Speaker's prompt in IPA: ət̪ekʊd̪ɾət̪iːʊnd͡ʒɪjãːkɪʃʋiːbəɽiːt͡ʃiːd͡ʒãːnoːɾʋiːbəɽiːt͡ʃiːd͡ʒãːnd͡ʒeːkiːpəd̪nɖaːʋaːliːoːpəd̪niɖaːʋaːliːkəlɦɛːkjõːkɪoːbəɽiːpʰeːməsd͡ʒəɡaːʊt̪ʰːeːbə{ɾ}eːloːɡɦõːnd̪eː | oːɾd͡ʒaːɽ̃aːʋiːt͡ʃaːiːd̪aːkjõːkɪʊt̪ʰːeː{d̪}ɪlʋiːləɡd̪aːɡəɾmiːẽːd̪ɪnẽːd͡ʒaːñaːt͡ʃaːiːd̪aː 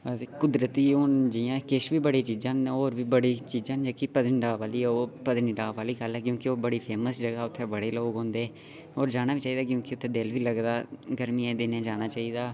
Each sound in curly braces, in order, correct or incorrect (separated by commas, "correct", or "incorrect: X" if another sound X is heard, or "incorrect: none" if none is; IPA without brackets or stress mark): incorrect: ɽ, correct